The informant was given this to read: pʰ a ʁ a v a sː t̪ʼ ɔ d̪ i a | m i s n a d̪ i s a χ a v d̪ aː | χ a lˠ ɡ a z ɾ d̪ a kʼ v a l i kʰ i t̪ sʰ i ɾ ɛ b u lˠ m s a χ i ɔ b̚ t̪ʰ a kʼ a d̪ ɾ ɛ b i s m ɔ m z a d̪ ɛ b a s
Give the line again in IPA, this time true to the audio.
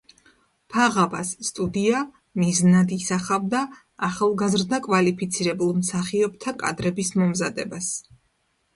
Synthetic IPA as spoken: pʰ a ʁ a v a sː t̪ʼ u d̪ i a | m i z n a d̪ i s a χ a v d̪ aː | χ a lˠ ɡ a z ɾ d̪ a kʼ v a l i pʰ i t̪ sʰ i ɾ ɛ b u lˠ m s a χ i ɔ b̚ t̪ʰ a kʼ a d̪ ɾ ɛ b i s m ɔ m z a d̪ ɛ b a s